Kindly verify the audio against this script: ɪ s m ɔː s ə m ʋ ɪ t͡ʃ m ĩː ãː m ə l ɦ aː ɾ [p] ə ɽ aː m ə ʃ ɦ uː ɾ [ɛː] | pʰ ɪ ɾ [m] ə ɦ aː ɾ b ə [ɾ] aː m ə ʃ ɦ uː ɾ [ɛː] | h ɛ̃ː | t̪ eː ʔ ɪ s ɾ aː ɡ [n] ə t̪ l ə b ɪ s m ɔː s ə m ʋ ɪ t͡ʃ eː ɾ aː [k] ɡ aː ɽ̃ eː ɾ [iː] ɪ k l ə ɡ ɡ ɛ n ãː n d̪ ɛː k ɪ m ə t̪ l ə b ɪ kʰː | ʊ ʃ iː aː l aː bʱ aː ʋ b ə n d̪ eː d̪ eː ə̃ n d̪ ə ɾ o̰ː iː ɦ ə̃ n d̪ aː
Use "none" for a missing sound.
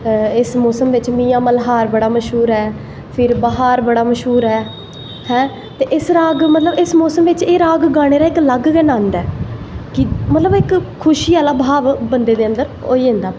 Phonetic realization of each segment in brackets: b, ɛː, b, ɽ, ɛː, m, ɡ, aː

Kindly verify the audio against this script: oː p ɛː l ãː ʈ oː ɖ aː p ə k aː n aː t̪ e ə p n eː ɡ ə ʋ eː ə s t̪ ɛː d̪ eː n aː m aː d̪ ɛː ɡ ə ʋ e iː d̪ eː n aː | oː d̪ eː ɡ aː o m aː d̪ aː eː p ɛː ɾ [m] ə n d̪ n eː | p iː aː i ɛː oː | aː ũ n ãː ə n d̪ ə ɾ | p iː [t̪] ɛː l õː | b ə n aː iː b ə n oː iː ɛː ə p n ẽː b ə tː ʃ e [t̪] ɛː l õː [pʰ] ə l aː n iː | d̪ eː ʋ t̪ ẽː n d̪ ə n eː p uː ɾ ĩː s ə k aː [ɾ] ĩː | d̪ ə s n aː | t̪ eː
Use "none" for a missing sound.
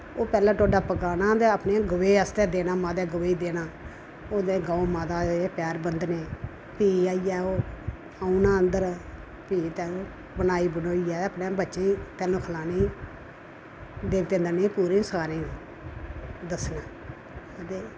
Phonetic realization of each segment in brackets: b, t̪, t̪, kʰ, ɾ

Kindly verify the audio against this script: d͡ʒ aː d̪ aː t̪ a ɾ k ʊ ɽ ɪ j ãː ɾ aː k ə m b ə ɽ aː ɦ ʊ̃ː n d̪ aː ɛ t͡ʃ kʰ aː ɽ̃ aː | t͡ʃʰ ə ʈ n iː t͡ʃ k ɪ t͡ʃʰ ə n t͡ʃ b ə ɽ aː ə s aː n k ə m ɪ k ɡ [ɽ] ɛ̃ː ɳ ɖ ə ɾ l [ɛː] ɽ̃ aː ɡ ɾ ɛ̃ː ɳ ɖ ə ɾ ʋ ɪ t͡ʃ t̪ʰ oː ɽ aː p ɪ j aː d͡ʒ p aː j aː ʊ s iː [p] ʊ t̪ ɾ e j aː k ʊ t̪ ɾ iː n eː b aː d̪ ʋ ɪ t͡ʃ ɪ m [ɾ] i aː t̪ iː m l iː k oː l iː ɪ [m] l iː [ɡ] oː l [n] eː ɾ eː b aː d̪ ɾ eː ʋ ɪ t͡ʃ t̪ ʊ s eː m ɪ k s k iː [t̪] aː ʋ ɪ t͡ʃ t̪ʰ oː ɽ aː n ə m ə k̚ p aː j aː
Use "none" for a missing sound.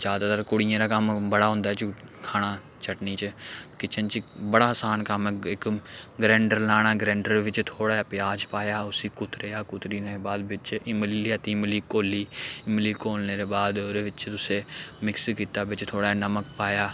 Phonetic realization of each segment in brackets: ɾ, aː, k, l, m, k, n, t̪

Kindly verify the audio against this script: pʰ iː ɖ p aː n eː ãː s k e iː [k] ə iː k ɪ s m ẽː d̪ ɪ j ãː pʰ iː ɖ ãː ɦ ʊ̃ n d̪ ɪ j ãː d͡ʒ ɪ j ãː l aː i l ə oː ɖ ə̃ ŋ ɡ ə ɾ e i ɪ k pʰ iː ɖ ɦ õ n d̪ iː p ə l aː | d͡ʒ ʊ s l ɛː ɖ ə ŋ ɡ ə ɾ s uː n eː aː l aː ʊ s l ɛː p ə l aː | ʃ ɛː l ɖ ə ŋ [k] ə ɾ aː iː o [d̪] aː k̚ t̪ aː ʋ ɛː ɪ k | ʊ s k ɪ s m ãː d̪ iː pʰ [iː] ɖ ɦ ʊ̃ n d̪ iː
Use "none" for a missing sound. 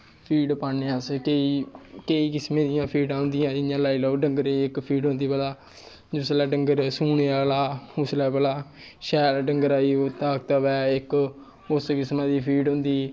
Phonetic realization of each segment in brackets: k, ɡ, t̪, iː

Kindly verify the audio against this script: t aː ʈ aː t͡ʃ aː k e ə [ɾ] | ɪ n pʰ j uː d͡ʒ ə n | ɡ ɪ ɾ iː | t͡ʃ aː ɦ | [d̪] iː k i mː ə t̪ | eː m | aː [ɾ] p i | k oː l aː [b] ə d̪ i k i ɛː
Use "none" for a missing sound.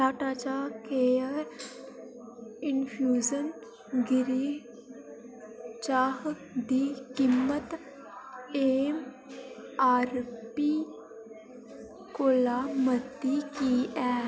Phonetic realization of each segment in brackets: ɾ, d̪, ɾ, m

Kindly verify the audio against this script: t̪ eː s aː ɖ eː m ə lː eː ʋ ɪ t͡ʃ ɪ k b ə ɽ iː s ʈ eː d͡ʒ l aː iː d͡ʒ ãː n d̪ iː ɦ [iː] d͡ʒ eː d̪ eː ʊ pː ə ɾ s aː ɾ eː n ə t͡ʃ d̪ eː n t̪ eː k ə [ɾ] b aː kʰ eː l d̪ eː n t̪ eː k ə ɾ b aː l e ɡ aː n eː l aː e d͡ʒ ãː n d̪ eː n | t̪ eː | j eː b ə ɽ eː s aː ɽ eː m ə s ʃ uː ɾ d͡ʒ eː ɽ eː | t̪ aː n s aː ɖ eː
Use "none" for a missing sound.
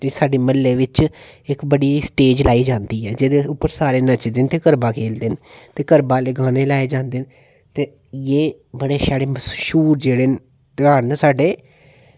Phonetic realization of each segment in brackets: ɛː, ɾ

